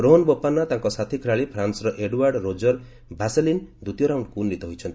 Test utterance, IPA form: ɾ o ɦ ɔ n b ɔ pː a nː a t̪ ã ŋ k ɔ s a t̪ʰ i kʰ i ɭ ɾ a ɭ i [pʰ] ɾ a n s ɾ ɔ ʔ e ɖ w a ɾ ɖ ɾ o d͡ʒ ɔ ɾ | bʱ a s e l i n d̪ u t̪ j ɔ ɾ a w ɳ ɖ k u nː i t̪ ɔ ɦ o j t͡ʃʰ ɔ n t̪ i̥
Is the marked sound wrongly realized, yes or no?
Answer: no